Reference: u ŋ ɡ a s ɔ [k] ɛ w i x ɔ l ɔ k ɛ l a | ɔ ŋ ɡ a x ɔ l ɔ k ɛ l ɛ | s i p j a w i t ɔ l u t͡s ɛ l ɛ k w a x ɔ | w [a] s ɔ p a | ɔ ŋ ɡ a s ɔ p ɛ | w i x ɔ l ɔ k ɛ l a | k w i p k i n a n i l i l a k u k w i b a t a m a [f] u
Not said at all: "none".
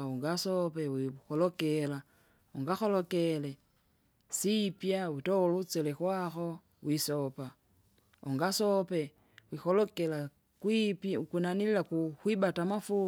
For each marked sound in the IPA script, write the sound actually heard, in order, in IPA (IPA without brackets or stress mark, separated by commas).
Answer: p, i, f